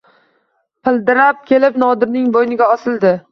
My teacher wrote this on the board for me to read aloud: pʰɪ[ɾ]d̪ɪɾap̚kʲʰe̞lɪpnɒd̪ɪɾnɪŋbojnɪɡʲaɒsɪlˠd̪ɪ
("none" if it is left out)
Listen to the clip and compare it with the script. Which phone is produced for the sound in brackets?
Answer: l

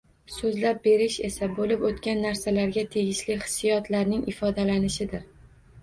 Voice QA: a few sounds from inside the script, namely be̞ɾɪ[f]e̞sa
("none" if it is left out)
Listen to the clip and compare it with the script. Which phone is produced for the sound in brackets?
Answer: ʃ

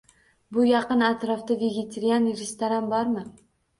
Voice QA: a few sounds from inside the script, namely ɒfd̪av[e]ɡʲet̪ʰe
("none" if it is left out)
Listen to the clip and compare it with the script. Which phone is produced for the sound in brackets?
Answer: e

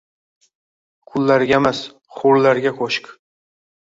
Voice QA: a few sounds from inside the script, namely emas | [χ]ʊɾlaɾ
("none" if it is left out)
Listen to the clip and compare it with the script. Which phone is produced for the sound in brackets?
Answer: χ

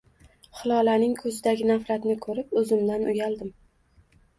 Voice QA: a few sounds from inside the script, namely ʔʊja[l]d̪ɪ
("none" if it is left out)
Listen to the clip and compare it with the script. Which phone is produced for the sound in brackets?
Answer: l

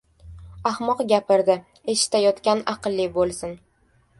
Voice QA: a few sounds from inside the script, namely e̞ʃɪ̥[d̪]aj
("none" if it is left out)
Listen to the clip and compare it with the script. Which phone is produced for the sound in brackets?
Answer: t̪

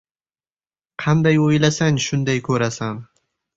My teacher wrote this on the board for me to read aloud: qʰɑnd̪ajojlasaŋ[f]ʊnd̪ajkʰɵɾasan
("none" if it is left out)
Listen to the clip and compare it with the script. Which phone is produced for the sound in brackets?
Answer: ʃ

